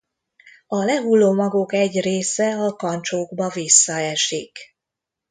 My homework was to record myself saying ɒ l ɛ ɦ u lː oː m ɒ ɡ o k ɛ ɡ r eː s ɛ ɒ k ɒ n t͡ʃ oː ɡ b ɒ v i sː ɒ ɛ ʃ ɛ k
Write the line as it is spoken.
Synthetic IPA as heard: ɒ l ɛ ɦ u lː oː m ɒ ɡ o k ɛ ɟ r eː s ɛ ɒ k ɒ n t͡ʃ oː ɡ b ɒ v i sː ɒ ɛ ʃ i k